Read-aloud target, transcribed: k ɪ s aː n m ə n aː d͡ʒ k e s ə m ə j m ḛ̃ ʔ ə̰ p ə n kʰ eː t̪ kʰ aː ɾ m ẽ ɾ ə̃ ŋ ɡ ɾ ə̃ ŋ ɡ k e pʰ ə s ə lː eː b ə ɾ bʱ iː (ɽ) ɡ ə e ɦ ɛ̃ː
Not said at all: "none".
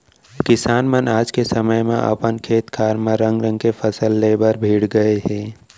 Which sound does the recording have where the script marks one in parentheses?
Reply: ɽ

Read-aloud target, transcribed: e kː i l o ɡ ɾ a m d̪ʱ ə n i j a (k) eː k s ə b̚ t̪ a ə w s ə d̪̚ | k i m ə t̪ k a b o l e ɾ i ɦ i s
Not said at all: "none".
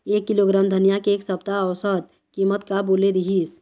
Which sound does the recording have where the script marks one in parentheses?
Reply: k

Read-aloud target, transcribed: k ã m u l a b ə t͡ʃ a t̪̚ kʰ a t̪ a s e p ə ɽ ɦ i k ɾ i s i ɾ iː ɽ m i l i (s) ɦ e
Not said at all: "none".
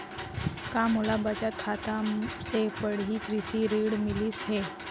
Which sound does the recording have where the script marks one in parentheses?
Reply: s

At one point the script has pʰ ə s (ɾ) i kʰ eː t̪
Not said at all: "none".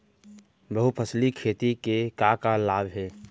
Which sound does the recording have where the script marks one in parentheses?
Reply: l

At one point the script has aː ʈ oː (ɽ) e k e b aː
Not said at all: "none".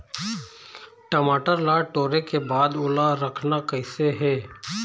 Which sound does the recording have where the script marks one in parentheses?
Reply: ɾ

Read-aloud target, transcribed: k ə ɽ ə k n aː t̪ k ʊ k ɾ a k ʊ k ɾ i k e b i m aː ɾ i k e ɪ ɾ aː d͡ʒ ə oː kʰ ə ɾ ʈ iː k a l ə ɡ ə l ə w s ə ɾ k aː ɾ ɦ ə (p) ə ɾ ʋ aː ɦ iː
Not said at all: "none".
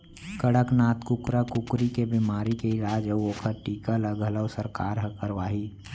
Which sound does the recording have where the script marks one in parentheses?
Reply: k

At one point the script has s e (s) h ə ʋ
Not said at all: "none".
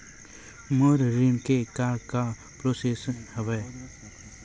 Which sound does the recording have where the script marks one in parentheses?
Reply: s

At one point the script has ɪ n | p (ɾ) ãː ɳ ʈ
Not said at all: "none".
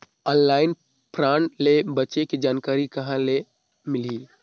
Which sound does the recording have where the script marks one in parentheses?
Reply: ɾ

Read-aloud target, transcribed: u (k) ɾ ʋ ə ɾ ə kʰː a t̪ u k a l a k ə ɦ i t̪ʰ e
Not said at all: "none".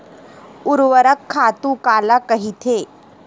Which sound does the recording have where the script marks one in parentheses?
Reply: none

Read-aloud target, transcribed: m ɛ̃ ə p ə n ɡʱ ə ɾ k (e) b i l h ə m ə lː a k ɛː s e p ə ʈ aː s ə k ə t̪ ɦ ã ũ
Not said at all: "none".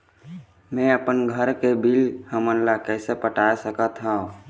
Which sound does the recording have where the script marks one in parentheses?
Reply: e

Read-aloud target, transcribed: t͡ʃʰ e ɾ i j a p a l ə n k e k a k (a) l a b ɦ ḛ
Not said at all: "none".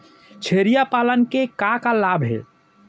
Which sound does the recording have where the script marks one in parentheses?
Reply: a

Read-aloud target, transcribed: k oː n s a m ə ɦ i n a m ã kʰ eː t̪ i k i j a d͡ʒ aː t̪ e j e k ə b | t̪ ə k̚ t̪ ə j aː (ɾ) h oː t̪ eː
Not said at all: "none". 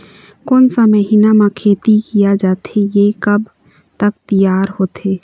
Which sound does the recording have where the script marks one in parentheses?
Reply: ɾ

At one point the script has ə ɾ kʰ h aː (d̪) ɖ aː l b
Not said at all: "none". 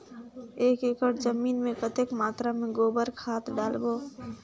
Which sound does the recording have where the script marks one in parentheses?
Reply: t̪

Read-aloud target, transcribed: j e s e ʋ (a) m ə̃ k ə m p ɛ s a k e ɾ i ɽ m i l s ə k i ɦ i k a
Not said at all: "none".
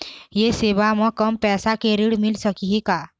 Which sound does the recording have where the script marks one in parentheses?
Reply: a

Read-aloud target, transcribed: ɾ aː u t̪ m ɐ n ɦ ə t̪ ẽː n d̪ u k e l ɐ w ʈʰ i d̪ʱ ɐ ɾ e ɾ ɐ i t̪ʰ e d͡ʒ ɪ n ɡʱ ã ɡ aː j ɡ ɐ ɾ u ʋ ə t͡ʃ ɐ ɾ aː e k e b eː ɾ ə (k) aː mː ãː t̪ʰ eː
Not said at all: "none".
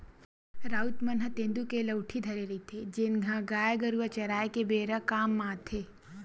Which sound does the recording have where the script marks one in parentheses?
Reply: k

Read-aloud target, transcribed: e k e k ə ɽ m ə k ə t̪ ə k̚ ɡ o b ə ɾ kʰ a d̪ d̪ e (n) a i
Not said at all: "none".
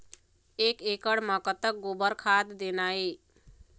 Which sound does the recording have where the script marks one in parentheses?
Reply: n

